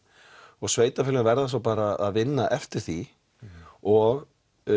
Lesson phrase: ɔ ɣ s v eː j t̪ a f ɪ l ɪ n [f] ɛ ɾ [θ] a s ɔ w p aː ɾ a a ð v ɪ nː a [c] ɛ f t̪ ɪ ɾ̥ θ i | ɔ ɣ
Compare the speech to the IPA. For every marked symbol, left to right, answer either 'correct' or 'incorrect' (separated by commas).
incorrect, incorrect, incorrect